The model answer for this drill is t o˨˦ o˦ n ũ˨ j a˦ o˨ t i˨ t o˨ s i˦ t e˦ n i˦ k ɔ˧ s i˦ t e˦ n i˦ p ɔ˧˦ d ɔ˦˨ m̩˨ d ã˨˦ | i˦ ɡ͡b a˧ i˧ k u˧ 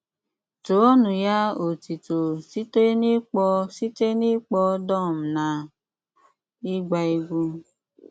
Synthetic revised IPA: t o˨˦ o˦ n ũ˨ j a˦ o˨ t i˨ t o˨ s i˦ t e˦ n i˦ k͡p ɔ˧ s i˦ t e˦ n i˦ k͡p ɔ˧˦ d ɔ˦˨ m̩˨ n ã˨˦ | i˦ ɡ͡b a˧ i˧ ɡ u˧

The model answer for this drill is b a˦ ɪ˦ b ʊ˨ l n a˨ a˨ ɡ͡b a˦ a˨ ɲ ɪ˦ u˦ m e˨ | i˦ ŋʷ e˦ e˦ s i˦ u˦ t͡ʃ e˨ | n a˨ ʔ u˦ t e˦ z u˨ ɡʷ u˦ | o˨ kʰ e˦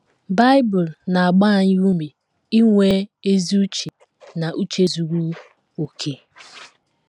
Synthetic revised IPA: b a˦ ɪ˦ b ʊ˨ l n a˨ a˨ ɡ͡b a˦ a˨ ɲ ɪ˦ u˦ m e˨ | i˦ ŋʷ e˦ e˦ z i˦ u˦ t͡ʃ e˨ | n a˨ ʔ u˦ t͡ʃ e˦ z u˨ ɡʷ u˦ | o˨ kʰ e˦

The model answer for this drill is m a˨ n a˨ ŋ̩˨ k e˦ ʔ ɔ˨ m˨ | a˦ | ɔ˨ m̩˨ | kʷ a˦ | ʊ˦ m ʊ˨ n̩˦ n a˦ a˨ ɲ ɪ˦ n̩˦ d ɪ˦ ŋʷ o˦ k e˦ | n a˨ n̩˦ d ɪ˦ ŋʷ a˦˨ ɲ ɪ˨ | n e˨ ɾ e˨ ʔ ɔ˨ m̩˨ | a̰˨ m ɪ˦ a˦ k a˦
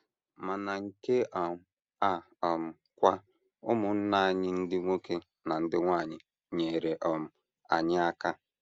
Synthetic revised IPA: m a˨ n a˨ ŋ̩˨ k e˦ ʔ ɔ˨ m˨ | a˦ | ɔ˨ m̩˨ | kʷ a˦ | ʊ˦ m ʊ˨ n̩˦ n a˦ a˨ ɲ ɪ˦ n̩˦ d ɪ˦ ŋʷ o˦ k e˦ | n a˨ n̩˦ d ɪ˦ ŋʷ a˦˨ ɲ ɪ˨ | ɲ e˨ ɾ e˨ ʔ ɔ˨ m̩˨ | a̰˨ ɲ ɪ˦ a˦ k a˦

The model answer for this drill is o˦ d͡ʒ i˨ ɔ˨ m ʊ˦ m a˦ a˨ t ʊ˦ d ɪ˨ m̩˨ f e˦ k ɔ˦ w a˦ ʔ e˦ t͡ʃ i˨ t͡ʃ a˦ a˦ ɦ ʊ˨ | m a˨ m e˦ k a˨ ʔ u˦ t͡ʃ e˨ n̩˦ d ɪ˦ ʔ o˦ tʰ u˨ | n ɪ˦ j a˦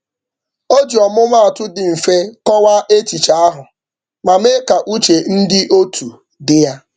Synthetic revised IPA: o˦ d͡ʒ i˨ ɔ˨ m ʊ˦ m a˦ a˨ t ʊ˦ d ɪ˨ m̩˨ f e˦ k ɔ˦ w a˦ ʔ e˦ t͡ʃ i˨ t͡ʃ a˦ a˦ ɦ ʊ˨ | m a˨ m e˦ k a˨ ʔ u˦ t͡ʃ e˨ n̩˦ d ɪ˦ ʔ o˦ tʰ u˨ | d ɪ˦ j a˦

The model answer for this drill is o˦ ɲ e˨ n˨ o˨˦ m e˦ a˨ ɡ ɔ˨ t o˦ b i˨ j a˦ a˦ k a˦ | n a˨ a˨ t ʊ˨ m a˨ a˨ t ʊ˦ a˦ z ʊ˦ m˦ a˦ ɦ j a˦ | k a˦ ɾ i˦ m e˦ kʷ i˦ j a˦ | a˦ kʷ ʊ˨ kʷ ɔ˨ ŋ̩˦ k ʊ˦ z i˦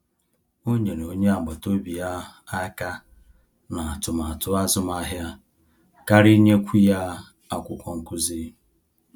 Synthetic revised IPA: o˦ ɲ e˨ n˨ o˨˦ ɲ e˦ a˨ ɡ͡b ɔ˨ t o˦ b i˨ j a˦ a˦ k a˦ | n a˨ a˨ t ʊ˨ m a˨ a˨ t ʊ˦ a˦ z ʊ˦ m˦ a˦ ɦ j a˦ | k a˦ ɾ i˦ ɲ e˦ kʷ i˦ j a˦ | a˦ kʷ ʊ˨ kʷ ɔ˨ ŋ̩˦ k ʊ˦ z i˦

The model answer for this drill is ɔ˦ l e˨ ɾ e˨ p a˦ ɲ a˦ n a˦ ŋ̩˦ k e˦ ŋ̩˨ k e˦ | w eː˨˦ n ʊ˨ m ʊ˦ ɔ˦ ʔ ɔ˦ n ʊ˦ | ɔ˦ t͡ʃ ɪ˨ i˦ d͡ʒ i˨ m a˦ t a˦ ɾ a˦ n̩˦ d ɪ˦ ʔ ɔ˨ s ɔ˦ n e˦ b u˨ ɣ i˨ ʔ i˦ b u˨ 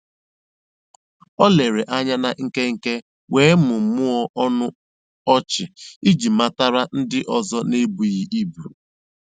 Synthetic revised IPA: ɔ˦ l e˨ ɾ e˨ ʔ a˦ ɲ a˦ n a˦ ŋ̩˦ k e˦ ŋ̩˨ k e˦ | w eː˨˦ m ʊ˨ m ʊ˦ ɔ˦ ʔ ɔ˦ n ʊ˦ | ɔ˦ t͡ʃ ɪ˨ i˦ d͡ʒ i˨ m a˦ t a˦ ɾ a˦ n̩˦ d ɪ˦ ʔ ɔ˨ z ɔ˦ n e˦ b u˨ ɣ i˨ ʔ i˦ b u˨

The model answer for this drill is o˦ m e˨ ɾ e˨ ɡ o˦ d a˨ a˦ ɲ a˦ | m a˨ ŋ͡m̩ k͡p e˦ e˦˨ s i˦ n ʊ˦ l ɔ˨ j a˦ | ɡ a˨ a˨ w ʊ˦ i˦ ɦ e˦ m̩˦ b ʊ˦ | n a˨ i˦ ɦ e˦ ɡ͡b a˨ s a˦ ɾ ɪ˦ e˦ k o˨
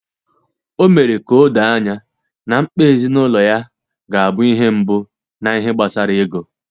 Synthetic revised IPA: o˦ m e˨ ɾ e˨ k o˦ d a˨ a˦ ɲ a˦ | n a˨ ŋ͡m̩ k͡p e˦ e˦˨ z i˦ n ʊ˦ l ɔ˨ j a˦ | ɡ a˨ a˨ b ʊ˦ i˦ ɦ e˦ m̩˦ b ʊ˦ | n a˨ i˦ ɦ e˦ ɡ͡b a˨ s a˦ ɾ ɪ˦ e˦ ɡ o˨

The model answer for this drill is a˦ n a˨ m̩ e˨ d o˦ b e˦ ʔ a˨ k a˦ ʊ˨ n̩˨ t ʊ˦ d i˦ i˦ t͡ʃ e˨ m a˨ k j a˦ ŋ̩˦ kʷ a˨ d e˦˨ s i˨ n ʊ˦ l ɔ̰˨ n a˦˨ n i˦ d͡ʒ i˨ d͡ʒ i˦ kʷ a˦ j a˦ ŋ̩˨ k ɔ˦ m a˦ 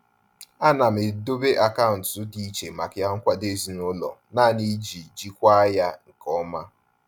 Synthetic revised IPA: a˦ n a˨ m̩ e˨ d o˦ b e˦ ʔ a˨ k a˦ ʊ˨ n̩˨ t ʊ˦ d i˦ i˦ t͡ʃ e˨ m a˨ k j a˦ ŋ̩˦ kʷ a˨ d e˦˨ z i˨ n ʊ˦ l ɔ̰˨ n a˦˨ n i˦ d͡ʒ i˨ d͡ʒ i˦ kʷ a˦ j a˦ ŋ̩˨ k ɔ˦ m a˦

